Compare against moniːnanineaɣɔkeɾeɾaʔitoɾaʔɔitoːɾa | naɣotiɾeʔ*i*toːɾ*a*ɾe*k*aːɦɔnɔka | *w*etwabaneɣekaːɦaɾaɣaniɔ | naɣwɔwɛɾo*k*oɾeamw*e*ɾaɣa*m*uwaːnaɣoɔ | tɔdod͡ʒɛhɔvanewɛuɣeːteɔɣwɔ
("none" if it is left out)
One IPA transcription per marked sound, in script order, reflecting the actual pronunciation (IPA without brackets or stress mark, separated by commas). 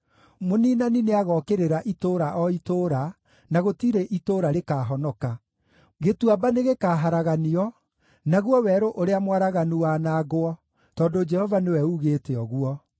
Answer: i, a, k, ɣ, ʔ, a, n